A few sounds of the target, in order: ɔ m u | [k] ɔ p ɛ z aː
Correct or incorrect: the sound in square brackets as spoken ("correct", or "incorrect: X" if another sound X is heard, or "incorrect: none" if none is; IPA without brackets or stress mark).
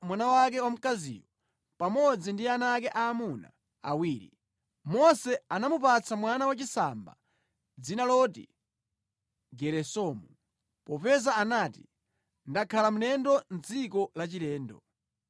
incorrect: p